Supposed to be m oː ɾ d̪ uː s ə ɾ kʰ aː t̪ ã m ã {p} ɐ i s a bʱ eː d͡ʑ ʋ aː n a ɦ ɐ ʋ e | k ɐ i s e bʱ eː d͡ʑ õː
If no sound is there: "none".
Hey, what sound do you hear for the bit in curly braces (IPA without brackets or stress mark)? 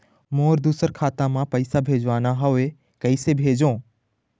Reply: p